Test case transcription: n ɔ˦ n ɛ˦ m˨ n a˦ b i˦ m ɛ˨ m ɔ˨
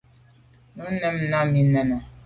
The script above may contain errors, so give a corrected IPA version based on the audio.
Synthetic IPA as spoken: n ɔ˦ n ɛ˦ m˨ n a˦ m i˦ n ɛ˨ n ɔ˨